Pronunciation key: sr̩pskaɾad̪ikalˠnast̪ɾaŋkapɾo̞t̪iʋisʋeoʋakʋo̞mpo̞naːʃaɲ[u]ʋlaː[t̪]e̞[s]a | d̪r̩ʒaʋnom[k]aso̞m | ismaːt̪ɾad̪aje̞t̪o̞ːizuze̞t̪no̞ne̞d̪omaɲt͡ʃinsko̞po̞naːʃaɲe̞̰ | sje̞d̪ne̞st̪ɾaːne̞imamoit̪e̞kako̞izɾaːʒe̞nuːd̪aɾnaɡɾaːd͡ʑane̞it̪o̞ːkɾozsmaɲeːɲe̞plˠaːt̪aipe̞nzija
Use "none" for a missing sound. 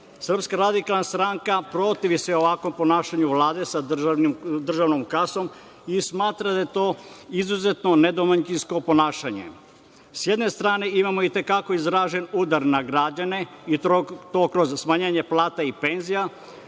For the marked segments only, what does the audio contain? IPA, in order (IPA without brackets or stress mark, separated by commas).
u, d̪, s, k